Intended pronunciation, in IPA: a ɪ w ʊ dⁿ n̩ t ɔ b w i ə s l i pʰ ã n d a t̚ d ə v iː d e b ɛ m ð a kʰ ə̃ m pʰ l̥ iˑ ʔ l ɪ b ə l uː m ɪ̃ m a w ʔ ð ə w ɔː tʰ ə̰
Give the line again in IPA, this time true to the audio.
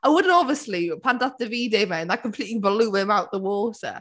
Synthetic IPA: a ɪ w ʊ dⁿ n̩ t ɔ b v i ə s l i pʰ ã n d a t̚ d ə v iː d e m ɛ n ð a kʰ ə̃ m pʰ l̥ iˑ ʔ l i b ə l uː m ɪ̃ m a w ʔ ð ə w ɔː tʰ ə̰